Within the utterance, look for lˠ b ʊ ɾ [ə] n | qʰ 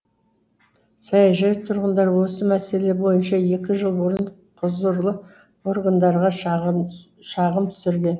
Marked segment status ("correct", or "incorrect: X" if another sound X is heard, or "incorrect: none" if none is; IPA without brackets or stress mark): correct